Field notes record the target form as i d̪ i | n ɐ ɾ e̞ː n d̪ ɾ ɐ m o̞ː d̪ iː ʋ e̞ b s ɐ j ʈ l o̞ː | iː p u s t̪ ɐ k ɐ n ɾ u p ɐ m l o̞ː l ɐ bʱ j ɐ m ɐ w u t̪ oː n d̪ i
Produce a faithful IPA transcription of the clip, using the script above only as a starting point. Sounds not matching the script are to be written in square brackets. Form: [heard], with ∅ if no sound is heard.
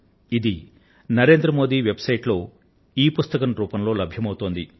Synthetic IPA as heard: i d̪ i | n ɐ ɾ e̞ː n d̪ ɾ ɐ m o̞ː d̪ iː ʋ e̞ b s ɐ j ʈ l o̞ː | iː p u s t̪ ɐ k ɐ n ɾ [uː] p ɐ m l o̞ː l ɐ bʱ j ɐ m ɐ w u t̪ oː n d̪ i